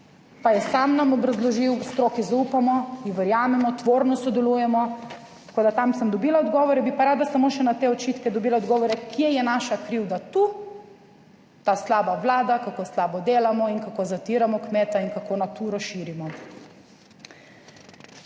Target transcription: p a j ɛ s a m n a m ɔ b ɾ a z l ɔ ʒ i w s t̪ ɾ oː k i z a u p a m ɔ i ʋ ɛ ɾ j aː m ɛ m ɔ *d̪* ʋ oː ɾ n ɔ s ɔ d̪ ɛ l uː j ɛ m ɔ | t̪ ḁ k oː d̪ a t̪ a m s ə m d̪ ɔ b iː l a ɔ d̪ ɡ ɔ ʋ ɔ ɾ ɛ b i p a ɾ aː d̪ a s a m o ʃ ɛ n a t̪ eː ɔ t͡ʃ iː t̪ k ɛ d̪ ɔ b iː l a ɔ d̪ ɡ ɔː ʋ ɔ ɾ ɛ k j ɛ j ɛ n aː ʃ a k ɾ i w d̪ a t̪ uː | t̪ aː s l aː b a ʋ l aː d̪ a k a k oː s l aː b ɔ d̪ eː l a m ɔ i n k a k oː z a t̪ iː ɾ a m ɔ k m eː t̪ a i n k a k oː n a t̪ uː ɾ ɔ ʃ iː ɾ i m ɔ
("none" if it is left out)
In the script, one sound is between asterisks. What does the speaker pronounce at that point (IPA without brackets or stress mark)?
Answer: t̪